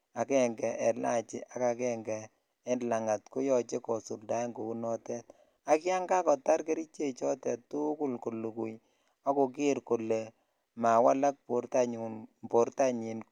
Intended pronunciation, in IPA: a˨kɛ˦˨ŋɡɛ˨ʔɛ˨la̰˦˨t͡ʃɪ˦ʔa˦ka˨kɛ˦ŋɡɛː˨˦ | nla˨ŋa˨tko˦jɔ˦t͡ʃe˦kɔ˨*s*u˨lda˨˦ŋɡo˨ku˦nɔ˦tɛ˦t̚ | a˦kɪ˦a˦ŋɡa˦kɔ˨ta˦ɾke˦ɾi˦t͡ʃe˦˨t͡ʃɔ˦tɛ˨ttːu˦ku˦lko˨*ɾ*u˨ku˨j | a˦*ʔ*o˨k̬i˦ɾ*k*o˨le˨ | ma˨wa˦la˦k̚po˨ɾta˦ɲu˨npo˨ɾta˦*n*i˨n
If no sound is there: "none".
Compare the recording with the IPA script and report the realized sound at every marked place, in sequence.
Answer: s, l, k, k, ɲ

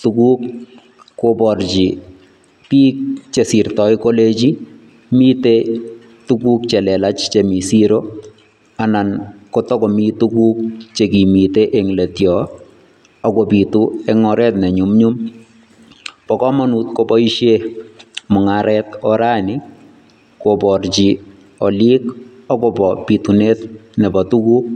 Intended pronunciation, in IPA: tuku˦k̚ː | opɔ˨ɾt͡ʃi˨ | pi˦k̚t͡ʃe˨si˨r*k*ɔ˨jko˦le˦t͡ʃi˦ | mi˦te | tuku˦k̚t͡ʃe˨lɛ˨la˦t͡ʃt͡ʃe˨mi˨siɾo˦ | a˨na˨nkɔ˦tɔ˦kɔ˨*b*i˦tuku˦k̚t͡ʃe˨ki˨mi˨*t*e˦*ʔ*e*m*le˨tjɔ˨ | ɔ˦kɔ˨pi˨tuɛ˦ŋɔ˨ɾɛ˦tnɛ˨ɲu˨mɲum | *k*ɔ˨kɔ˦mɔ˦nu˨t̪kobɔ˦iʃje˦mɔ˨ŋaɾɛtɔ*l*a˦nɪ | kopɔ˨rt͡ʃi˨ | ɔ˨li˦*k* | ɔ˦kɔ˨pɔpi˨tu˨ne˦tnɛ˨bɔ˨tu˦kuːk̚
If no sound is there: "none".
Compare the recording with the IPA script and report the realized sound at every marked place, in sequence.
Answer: t, m, t, ʔ, ŋ, p, ɾ, k

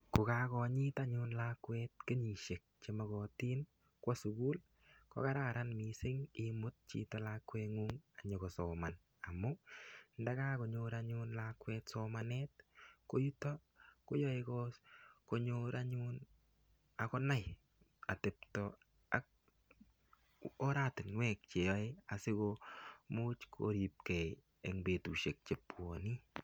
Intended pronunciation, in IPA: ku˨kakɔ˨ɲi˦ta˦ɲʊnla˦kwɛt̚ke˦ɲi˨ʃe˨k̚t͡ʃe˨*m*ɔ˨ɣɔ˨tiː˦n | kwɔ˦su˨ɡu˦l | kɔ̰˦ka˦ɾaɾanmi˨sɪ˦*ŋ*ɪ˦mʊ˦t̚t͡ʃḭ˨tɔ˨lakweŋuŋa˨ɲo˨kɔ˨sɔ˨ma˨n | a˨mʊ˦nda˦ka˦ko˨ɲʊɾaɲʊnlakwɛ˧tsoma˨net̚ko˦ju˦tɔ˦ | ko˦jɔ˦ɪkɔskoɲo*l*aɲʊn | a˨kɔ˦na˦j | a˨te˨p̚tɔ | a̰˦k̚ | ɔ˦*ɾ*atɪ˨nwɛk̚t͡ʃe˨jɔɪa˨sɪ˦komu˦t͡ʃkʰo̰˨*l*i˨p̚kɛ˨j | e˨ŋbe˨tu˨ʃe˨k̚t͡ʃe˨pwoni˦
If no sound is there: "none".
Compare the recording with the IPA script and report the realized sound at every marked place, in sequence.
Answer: m, ŋ, ɾ, ɾ, ɾ

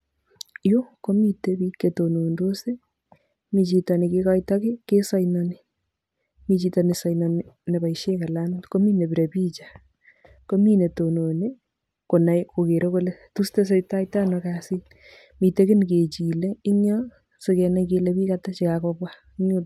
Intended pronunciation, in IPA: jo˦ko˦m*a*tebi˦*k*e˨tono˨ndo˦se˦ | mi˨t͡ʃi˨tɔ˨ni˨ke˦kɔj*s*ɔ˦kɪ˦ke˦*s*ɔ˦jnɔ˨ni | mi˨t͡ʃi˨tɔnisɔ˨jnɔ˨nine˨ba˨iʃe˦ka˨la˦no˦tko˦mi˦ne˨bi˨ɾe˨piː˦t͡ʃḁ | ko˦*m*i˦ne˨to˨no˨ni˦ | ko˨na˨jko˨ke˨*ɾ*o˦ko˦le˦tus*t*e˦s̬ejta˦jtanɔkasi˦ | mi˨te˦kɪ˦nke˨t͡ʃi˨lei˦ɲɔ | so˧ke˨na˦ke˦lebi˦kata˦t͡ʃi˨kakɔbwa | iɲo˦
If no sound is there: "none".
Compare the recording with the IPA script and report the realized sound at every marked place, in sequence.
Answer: i, k, t, s, m, ɾ, t

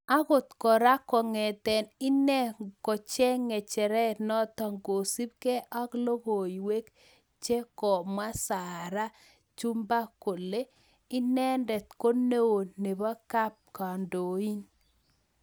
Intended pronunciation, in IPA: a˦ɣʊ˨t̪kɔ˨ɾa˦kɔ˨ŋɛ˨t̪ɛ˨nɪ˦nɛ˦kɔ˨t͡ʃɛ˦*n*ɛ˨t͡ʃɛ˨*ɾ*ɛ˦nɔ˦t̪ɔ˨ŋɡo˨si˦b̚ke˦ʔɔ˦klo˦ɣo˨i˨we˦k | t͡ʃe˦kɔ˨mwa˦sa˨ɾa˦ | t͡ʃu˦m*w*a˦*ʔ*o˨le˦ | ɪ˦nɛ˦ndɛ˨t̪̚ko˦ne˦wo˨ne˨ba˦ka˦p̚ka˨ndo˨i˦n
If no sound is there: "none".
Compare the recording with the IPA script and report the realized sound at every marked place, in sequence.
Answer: ŋ, ɾ, b, k

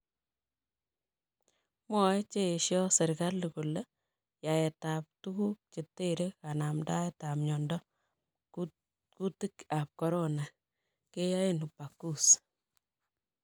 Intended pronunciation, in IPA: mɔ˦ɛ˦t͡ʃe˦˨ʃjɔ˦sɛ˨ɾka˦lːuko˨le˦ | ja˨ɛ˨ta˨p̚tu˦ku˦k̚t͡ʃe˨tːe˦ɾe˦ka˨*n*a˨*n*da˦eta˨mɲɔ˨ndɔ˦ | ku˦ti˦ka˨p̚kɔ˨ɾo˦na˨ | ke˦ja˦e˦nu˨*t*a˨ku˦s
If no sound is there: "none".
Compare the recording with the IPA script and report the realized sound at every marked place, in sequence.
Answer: n, m, p

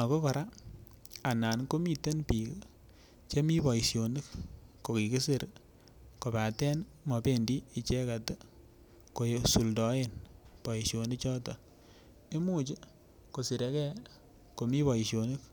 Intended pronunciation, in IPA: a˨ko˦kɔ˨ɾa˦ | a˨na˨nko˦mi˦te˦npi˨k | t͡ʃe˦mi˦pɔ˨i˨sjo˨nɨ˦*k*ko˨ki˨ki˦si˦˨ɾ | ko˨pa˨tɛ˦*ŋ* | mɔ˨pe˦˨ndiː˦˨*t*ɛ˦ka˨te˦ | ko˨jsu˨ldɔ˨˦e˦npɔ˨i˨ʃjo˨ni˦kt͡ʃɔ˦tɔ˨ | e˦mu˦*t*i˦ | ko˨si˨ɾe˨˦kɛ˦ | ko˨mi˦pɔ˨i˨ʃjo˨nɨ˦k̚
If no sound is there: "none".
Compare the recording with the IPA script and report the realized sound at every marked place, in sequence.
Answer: k, n, t͡ʃ, t͡ʃ

